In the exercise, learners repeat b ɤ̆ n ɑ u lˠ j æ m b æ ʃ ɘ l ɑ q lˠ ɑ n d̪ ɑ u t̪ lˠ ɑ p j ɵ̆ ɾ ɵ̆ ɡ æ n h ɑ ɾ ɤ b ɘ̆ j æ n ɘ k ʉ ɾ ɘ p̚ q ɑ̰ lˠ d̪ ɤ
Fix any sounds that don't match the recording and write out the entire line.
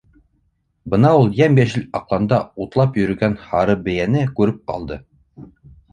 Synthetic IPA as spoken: b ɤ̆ n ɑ u lˠ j æ m b æ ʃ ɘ l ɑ q lˠ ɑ n d̪ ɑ u t̪ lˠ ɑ p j ɵ̆ ɾ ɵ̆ ɡ æ n h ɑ ɾ ɤ b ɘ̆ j æ n ɘ k ʉ ɾ ɘ p̚ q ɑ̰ lˠ d̪ ɤ